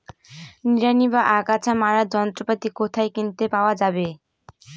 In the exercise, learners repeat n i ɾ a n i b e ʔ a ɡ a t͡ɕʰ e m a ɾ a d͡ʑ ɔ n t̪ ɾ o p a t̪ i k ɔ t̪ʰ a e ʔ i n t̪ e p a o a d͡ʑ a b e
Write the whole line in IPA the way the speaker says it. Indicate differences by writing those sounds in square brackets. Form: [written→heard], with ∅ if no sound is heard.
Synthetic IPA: n i ɾ a n i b [e→a] ʔ a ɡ a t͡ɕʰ [e→a] m a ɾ a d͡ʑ ɔ n t̪ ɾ o p a t̪ i k [ɔ→o] t̪ʰ a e [ʔ→k] i n t̪ e p a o a d͡ʑ a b e